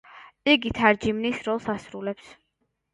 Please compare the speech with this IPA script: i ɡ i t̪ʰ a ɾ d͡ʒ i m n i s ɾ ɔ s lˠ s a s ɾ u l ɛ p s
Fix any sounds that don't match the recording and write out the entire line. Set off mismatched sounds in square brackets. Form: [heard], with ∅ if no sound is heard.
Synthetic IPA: i ɡ i t̪ʰ a ɾ d͡ʒ i m n i s ɾ ɔ [∅] lˠ s a s ɾ u l ɛ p s